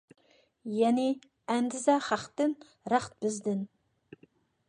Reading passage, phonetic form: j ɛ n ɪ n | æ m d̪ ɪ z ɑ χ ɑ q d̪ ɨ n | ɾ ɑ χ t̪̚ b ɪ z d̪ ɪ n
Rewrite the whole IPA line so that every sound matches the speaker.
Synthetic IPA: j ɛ n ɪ | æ n d̪ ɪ z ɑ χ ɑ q t̪ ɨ n | ɾ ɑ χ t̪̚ b ɪ z d̪ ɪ n